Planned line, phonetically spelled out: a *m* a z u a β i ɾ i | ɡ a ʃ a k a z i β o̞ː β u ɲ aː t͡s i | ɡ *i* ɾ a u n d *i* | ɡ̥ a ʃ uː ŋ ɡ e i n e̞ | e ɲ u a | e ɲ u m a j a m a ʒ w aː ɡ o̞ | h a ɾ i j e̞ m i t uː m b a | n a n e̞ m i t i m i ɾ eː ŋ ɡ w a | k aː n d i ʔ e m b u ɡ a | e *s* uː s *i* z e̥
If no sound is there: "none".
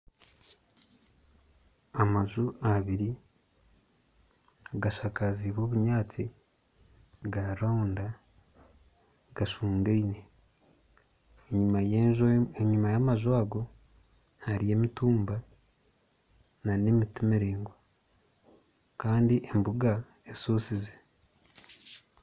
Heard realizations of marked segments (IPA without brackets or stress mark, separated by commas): m, a, a, s, i